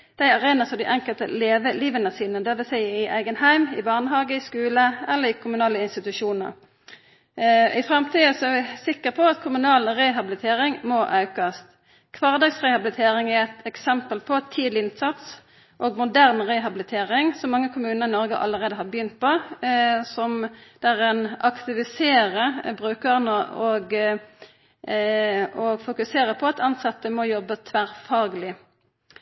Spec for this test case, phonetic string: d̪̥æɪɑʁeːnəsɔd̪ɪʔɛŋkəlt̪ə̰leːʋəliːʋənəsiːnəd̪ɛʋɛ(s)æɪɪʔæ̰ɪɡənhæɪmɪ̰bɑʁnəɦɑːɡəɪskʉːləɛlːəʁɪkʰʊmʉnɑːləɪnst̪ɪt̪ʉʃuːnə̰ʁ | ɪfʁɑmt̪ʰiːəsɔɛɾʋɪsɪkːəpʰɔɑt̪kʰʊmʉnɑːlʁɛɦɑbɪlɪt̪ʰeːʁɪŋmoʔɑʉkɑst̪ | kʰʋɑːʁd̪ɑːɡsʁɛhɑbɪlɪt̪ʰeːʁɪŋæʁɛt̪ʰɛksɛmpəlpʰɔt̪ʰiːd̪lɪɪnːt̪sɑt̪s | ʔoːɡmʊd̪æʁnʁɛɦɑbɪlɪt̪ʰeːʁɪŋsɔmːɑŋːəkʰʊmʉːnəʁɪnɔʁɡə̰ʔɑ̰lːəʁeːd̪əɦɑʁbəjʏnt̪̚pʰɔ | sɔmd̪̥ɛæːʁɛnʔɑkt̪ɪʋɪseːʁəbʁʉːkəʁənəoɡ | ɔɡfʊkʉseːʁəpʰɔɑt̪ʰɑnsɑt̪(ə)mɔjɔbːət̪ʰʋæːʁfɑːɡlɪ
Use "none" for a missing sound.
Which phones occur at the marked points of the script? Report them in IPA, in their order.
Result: s, ə

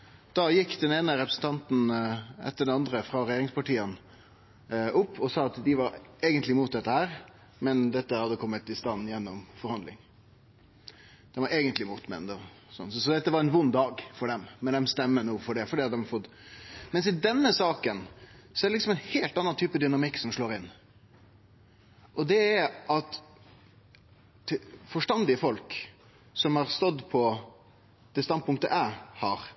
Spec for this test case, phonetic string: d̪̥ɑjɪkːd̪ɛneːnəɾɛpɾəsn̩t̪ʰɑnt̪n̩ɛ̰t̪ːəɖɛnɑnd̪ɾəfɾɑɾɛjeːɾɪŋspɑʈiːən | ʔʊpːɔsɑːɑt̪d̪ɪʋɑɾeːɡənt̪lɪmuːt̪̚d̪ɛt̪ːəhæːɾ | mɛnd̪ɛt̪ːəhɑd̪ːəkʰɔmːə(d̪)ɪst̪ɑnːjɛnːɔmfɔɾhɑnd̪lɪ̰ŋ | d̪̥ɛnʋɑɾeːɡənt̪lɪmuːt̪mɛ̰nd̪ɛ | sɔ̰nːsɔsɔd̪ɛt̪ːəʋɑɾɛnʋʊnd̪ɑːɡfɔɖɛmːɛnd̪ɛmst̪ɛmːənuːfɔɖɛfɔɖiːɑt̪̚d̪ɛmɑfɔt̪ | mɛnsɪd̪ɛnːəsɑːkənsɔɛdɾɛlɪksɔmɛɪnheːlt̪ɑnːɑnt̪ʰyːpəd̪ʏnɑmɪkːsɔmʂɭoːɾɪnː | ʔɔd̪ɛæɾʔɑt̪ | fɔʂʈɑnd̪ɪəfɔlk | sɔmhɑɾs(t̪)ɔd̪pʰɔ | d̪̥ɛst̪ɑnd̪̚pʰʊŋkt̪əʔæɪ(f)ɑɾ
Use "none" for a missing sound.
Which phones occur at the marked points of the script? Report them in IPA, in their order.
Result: t̪, t̪, h

